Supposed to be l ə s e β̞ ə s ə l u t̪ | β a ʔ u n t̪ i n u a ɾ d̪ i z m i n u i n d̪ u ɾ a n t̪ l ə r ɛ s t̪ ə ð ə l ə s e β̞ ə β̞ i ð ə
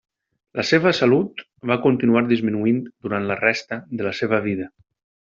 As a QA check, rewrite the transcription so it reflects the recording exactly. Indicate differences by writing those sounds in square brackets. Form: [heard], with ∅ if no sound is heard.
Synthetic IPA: l ə s e β̞ ə s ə l u t̪ | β a [k] u n t̪ i n u a ɾ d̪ i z m i n u i n d̪ u ɾ a n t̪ l ə r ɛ s t̪ ə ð ə l ə s e β̞ ə β̞ i ð ə